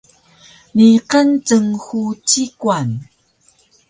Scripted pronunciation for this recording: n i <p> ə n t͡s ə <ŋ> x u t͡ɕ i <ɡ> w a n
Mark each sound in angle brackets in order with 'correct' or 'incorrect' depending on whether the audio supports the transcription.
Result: incorrect: q, correct, incorrect: k

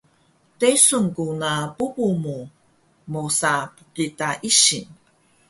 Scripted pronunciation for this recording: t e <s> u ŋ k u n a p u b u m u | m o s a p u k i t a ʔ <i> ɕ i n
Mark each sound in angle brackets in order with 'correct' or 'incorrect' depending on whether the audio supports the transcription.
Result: correct, correct

